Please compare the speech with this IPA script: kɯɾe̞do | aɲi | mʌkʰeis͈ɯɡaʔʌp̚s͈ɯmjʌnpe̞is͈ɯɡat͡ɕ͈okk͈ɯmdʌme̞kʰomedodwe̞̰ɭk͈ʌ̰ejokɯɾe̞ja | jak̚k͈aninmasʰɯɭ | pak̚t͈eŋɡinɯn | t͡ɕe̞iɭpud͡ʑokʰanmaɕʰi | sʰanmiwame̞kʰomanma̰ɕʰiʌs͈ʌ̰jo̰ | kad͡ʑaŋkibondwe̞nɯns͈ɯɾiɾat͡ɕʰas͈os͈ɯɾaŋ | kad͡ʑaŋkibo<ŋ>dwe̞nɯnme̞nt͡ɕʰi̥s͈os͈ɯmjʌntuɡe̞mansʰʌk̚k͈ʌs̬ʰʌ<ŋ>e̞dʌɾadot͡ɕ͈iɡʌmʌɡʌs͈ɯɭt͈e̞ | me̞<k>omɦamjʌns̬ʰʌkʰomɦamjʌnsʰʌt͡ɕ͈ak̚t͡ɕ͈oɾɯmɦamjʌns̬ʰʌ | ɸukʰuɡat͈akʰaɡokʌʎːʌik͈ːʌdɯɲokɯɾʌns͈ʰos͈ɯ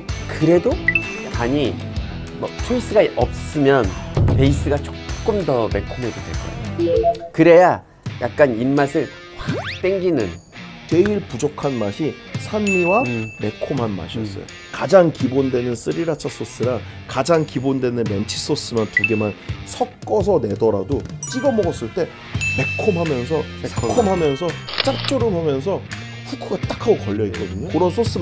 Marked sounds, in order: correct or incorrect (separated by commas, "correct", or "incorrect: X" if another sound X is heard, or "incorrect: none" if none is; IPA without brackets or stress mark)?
incorrect: n, incorrect: n, incorrect: kʰ